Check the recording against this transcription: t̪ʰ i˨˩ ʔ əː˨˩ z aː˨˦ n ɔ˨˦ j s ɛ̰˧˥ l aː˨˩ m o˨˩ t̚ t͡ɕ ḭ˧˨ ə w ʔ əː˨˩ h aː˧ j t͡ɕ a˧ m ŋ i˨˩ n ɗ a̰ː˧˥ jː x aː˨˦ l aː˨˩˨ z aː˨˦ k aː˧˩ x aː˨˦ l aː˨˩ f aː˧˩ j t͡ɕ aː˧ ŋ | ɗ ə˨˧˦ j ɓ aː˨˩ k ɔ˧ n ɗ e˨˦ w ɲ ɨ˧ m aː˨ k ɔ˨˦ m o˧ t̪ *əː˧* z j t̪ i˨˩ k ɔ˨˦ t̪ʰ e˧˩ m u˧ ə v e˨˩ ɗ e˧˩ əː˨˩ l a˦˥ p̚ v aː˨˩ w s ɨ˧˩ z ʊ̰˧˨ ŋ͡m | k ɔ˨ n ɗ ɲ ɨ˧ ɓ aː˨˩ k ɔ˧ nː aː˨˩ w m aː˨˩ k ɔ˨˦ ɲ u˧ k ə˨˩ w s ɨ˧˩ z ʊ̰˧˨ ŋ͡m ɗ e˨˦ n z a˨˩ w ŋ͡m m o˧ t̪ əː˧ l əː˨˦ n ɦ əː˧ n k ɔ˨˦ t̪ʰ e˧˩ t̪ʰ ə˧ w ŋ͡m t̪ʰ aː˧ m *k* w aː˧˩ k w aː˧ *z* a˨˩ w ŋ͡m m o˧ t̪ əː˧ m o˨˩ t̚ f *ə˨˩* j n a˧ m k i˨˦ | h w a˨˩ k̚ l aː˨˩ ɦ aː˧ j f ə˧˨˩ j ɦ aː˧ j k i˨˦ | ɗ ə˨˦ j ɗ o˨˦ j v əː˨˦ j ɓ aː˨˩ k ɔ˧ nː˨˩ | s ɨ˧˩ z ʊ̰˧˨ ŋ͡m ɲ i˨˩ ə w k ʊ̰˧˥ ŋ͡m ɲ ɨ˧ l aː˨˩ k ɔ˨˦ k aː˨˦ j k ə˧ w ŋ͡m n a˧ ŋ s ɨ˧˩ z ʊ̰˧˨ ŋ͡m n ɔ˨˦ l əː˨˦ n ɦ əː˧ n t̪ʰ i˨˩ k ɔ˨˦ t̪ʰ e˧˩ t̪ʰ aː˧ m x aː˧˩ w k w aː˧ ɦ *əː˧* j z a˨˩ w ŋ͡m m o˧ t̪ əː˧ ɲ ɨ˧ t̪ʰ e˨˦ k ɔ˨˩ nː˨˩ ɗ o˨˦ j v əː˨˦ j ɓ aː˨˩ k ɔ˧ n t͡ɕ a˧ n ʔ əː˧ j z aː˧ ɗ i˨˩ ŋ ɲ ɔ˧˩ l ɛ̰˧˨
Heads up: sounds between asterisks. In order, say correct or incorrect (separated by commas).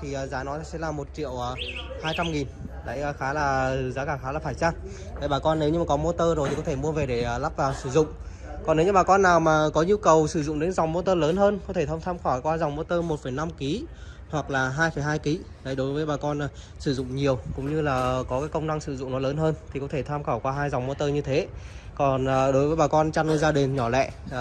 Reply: correct, incorrect, correct, correct, incorrect